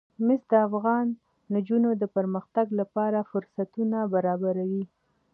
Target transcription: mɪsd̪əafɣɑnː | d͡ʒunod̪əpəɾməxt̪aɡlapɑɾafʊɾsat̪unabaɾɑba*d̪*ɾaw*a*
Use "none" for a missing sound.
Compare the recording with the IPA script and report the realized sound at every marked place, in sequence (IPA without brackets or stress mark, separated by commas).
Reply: none, i